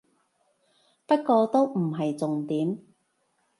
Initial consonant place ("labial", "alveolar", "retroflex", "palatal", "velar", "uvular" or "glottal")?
labial